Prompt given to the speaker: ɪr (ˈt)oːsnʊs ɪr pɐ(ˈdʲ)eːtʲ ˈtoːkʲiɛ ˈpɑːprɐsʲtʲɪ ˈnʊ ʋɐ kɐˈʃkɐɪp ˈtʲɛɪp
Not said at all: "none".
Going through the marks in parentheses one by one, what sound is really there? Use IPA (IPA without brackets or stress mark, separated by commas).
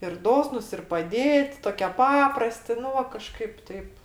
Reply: d, dʲ